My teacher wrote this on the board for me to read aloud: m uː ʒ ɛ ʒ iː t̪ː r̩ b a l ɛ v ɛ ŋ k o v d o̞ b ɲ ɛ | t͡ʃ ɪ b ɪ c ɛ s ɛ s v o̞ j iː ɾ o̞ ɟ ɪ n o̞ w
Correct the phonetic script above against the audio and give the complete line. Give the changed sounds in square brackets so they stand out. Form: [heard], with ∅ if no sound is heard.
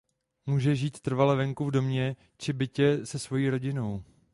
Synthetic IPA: m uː ʒ ɛ ʒ iː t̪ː r̩ [v] a l ɛ v ɛ ŋ k [u] v d o̞ [m] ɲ ɛ | t͡ʃ ɪ b ɪ c ɛ s ɛ s v o̞ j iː ɾ o̞ ɟ ɪ n o̞ w